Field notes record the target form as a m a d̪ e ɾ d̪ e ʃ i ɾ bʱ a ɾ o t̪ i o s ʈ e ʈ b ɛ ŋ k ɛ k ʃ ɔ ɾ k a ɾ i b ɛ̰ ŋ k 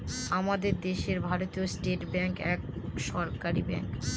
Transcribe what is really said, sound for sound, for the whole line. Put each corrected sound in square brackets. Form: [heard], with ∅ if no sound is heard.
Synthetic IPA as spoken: a m a d̪ e ɾ d̪ e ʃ [e] ɾ bʱ a ɾ o t̪ i o s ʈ e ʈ b ɛ ŋ k ɛ k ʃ ɔ ɾ k a ɾ i b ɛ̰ ŋ k